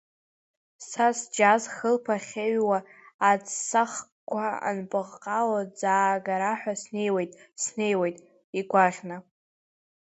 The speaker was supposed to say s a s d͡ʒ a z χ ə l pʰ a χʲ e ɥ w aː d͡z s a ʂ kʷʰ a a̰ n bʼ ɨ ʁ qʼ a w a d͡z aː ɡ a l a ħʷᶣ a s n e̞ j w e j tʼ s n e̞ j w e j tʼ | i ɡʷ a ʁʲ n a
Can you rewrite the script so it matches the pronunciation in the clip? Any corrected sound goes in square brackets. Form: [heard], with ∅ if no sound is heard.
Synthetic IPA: s a s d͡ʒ a z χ ə l pʰ a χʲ e ɥ w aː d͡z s a [χ] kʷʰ a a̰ n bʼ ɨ ʁ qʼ a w a d͡z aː ɡ a [ɾ] a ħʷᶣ a s n e̞ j w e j tʼ s n e̞ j w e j tʼ | i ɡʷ a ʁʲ n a

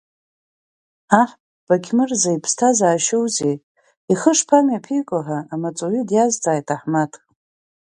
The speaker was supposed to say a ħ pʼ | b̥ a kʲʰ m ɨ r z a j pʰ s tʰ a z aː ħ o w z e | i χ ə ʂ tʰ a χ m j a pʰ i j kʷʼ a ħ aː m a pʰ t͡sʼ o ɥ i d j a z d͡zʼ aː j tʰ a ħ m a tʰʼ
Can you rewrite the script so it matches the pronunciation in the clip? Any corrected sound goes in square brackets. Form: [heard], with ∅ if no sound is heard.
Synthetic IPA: a ħ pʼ | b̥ a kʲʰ m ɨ r z a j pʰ s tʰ a z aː [ʃ] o w z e | i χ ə ʂ [pʰ] a [∅] m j a pʰ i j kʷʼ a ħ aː m a [∅] t͡sʼ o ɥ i d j a z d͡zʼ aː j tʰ a ħ m a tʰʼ

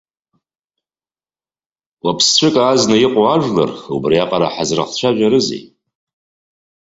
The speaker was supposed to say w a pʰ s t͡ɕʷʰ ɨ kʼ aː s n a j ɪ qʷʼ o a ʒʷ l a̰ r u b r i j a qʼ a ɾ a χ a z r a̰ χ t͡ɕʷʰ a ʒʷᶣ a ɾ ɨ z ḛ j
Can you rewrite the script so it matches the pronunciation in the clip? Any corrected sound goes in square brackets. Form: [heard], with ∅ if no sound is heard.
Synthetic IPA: w a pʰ s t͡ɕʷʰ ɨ kʼ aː [z] n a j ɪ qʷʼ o a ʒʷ l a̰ r u b r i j a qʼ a ɾ a [ħ] a z r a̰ χ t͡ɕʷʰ a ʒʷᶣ a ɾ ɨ z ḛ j

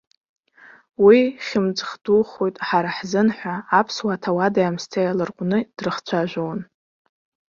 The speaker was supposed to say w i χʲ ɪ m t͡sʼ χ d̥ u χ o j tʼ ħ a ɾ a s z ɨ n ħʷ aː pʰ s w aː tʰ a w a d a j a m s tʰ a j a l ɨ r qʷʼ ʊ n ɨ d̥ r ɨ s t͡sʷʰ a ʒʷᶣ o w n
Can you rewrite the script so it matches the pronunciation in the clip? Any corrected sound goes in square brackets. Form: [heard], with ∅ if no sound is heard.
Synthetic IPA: w i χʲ ɪ m t͡sʼ χ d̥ u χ o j tʼ ħ a ɾ a [ħ] z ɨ n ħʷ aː pʰ s w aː tʰ a w a d a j a m s tʰ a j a l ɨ r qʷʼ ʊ n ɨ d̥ r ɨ [χ] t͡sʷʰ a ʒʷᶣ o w n

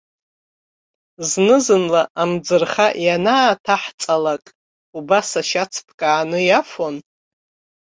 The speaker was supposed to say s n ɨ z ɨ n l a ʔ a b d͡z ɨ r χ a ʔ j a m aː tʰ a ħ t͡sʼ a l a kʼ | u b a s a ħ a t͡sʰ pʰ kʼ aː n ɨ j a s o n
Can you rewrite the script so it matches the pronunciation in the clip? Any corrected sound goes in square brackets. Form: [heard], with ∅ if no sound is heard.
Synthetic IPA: [z] n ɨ z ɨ n l a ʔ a [m] d͡z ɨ r χ a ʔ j a [n] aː tʰ a ħ t͡sʼ a l a kʼ | u b a s a [ʃ] a t͡sʰ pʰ kʼ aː n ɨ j a [f] o n

